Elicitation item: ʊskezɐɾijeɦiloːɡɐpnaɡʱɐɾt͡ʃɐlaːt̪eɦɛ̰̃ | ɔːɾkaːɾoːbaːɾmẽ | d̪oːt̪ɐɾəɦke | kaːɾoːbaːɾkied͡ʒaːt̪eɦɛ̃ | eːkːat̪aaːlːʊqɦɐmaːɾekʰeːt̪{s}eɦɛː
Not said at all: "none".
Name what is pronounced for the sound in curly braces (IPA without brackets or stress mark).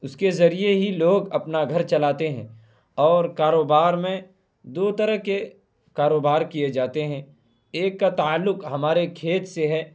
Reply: s